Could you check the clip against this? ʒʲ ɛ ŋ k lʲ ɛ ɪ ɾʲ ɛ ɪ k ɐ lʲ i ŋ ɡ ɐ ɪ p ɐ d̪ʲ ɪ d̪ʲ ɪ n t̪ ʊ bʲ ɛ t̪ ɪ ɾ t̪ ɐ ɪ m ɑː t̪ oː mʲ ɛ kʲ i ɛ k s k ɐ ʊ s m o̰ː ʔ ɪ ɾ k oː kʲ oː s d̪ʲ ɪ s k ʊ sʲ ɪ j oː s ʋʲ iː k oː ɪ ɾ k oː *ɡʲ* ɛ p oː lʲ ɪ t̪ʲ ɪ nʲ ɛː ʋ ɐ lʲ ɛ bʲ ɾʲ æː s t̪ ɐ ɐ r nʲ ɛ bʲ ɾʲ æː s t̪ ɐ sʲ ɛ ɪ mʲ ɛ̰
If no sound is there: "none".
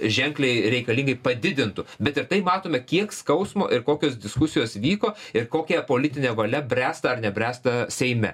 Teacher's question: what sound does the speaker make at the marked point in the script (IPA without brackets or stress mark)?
kʲ